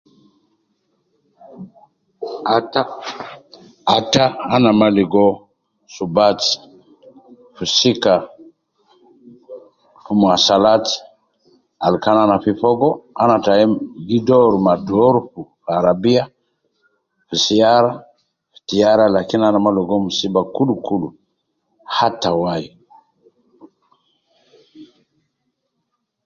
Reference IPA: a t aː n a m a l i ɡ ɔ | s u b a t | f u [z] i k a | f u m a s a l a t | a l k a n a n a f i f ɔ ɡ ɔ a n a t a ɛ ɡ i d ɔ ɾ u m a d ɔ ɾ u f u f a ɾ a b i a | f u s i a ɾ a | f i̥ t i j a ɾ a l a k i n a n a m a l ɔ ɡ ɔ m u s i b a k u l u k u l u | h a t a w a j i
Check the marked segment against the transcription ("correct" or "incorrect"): incorrect